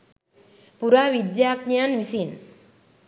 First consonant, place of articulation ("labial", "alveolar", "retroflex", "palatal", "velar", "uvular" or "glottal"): labial